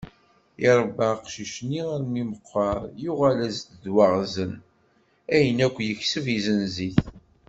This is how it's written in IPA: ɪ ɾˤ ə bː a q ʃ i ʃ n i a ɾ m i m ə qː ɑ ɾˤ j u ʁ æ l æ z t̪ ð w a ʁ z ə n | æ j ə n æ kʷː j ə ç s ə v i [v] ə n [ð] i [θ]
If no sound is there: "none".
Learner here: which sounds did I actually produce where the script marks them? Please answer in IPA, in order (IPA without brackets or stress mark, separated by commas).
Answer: z, z, θ